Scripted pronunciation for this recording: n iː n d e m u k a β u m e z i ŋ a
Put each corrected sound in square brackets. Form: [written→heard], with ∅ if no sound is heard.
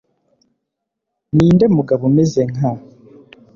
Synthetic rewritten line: n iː n d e m u [k→ɡ] a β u m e z [i→e] ŋ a